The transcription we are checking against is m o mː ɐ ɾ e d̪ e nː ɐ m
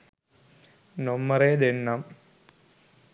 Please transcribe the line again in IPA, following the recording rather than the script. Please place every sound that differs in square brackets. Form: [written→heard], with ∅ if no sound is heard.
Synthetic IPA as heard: [m→n] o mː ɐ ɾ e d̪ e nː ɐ m